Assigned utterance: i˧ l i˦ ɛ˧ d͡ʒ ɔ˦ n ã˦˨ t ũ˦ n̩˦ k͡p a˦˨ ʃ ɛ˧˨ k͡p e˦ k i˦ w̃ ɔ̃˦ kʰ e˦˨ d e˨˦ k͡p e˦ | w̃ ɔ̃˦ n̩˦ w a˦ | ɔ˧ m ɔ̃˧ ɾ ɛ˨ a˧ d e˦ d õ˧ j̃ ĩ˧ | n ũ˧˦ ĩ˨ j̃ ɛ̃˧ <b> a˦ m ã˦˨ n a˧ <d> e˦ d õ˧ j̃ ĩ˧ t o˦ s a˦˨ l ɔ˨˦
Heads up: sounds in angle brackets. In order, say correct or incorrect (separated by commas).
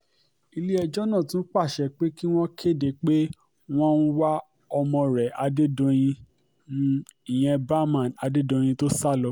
correct, correct